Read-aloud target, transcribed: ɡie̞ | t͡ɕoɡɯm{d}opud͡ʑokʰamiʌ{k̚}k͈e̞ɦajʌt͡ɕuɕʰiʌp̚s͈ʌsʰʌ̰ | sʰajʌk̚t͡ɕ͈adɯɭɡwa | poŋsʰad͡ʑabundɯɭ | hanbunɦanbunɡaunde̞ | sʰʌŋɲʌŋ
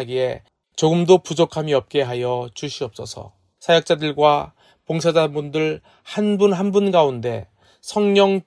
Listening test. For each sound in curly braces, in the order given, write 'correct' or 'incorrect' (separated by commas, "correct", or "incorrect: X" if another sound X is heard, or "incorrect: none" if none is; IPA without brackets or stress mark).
correct, incorrect: p̚